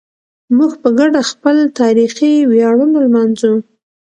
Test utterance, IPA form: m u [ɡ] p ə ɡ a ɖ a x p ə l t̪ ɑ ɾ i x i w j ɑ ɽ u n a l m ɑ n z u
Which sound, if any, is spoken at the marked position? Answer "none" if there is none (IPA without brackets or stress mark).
ɡ